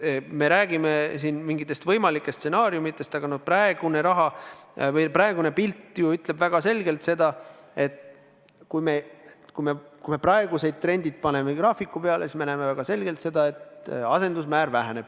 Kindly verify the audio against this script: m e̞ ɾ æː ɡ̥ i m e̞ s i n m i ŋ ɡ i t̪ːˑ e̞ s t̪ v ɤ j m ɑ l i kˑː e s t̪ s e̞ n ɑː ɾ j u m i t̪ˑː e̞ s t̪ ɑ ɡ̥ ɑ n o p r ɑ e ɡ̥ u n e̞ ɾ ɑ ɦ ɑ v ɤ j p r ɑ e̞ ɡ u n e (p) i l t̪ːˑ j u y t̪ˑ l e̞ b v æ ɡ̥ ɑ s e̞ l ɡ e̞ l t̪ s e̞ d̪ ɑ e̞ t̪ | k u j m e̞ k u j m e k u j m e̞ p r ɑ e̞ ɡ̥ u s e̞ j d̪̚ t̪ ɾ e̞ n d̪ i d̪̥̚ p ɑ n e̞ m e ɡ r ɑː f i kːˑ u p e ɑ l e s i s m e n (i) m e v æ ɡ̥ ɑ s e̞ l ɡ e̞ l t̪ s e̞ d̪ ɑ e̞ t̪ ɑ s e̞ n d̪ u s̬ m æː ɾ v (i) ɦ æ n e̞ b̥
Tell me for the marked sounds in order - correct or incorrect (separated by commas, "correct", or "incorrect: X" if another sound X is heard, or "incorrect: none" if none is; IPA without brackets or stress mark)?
correct, incorrect: æ, incorrect: æ